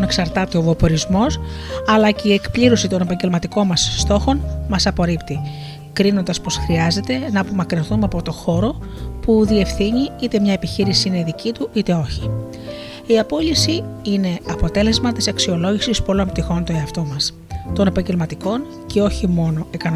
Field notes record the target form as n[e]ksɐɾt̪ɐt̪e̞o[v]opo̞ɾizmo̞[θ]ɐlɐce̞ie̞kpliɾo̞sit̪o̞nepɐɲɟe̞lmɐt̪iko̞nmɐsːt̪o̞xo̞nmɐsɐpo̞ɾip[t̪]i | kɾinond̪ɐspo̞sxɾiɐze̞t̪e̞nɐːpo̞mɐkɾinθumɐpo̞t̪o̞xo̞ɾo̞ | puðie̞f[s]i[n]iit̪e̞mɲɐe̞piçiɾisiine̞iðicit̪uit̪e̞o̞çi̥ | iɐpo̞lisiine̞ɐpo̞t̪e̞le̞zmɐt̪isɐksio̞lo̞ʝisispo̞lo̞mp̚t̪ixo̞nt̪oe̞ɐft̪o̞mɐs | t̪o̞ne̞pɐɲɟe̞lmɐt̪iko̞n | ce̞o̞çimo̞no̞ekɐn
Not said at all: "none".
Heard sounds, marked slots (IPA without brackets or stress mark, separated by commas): e, v, s, t̪, θ, ɲ